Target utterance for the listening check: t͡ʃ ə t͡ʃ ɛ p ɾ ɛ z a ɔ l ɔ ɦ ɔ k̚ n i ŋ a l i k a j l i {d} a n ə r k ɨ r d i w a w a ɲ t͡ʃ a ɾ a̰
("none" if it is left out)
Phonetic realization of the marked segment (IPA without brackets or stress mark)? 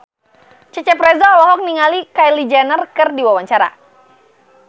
d͡ʒ